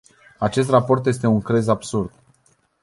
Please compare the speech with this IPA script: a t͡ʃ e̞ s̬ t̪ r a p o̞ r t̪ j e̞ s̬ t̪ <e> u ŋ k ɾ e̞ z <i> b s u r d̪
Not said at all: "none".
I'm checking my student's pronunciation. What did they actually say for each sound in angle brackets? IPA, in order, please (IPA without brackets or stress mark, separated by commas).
e, a